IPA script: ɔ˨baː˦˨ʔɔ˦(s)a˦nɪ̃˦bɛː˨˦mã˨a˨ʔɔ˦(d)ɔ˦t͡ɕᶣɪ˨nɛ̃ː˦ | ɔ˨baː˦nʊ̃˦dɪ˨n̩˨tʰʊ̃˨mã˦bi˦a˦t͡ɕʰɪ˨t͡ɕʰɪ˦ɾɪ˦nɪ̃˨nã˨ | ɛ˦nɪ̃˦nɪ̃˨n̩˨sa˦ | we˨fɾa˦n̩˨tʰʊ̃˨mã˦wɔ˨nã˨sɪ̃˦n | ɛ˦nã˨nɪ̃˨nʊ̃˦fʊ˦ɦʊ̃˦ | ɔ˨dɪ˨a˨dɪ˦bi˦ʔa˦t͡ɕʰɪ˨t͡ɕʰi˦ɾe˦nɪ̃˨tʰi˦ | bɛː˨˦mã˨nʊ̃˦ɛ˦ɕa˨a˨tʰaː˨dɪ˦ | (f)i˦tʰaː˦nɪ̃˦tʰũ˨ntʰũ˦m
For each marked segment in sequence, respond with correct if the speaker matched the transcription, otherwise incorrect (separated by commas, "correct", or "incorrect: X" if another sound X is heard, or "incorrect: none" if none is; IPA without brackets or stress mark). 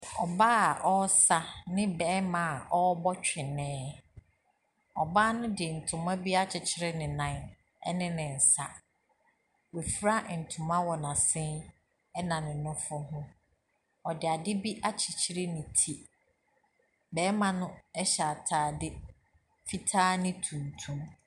correct, incorrect: b, correct